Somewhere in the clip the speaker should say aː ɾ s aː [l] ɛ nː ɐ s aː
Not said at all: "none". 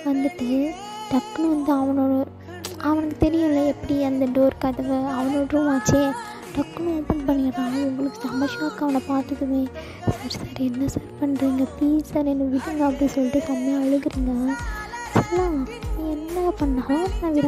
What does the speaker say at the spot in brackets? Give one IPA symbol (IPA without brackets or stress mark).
ɾ